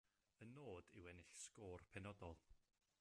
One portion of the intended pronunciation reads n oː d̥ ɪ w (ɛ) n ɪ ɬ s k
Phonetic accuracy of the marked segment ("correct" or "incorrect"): correct